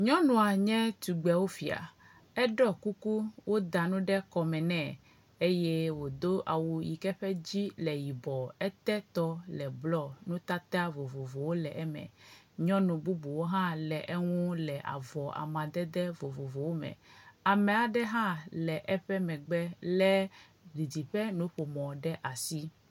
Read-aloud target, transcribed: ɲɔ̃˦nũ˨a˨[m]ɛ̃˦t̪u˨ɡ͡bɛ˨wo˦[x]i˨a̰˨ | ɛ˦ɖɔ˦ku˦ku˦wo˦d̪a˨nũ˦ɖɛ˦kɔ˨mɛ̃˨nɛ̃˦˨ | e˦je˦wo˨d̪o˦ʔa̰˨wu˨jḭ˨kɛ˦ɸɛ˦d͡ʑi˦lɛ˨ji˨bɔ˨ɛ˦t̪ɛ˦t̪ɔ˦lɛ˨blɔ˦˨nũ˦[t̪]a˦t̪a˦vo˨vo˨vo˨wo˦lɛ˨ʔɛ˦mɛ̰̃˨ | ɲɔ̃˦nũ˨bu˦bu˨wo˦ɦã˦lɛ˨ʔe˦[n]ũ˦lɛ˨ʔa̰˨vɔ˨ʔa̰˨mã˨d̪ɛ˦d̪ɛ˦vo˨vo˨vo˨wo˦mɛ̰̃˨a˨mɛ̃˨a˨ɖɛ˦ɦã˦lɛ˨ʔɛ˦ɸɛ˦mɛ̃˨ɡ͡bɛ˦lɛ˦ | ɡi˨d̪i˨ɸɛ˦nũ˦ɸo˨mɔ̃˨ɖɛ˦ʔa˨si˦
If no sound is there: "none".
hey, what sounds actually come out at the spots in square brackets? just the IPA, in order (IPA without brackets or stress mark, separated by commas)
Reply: ɲ, f, t̪, ŋ